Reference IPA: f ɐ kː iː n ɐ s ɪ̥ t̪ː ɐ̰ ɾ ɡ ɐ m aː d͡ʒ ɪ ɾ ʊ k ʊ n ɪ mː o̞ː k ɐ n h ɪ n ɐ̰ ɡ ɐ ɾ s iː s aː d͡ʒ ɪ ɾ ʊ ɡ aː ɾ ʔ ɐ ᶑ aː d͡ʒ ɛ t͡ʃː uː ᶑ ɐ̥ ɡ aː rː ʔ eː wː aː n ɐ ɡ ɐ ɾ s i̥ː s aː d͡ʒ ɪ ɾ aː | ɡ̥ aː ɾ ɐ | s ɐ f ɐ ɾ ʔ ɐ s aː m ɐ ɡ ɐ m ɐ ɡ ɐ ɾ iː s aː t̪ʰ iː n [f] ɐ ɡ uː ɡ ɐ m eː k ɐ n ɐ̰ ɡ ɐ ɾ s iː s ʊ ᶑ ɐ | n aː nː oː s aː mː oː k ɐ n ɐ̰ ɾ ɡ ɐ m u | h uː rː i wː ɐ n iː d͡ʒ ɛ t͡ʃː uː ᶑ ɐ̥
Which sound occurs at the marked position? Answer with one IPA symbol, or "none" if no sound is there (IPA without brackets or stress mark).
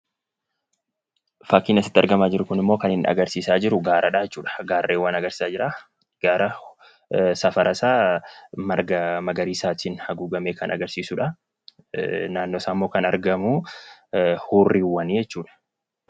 h